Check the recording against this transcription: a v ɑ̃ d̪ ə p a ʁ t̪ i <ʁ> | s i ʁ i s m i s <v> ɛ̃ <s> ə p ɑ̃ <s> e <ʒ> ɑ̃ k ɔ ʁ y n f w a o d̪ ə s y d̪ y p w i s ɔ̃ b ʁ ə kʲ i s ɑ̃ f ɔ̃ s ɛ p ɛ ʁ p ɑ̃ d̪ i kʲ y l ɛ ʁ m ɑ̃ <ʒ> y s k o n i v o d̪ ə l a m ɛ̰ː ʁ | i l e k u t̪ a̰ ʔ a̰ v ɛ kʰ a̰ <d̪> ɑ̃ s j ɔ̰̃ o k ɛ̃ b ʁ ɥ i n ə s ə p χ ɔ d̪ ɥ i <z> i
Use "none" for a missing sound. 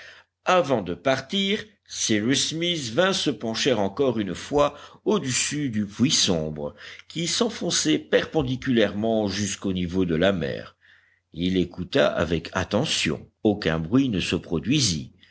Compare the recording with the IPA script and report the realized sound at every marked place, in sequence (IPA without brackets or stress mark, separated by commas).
ʁ, v, s, ʃ, ʁ, ʒ, t̪, z